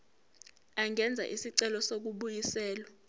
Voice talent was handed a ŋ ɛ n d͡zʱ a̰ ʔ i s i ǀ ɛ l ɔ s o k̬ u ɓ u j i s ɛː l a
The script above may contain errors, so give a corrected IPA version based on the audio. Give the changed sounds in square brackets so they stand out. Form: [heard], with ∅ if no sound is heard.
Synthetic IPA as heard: a ŋ ɛ n d͡zʱ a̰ ʔ i s i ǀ ɛ l ɔ s o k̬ u ɓ u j i s ɛː l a